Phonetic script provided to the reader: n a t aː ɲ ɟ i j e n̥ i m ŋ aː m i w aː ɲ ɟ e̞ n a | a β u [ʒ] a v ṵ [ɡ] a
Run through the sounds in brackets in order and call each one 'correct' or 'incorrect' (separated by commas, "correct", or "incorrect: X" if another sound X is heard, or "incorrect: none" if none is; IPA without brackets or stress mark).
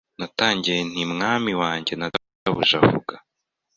correct, correct